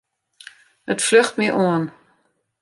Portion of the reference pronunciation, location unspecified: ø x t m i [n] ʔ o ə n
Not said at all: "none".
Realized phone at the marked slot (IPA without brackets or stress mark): none